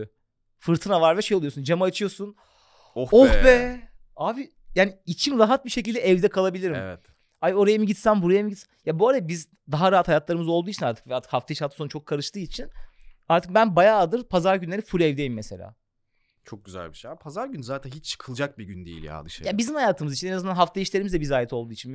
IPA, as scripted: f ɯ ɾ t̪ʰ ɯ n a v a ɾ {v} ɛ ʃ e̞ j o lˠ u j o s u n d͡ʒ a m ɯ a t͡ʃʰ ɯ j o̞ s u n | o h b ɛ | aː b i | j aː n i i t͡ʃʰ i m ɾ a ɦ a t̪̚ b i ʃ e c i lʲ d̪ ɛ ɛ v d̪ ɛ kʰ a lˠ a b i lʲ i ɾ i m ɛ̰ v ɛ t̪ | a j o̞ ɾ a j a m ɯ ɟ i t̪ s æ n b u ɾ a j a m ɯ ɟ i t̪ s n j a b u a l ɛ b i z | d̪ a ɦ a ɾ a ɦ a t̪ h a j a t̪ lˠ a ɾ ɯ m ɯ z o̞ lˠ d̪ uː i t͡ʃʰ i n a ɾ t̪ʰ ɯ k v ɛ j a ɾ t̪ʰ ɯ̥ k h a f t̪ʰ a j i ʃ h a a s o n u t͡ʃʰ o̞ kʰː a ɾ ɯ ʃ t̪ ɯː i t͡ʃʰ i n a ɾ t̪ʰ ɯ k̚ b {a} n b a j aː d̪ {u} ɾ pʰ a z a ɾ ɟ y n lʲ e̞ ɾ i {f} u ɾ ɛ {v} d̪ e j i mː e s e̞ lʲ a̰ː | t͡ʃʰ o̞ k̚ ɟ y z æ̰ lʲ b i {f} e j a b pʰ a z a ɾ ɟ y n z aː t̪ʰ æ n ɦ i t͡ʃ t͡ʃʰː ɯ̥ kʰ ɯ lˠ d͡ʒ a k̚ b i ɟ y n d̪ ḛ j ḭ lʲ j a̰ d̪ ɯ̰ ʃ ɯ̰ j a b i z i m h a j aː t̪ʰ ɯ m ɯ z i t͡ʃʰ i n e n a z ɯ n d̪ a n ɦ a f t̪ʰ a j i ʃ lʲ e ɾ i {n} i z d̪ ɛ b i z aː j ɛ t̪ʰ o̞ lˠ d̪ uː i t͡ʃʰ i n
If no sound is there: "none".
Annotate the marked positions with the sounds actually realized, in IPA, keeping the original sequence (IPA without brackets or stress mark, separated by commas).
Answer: v, æ, ɯ, f, v, ʃ, m